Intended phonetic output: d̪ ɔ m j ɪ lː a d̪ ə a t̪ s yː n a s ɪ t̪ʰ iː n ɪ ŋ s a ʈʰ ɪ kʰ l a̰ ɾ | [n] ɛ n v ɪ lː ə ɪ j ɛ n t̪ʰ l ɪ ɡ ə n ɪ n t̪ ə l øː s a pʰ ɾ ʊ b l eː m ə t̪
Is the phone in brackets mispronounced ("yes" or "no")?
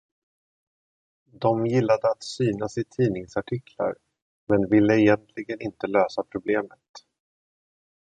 yes